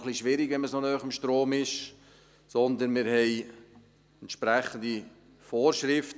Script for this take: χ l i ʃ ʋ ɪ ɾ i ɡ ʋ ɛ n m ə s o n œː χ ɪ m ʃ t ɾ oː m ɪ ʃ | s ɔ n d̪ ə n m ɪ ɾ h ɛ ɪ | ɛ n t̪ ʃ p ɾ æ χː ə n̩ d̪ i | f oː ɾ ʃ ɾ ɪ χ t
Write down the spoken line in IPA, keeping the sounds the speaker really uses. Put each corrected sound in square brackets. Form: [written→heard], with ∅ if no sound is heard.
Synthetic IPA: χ l i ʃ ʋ ɪ ɾ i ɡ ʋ ɛ n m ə s o n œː χ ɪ m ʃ t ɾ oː m ɪ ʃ | s ɔ n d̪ ə n m ɪ ɾ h ɛ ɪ | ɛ n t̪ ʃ p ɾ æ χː ə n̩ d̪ i | f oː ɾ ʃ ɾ ɪ [χ→f] t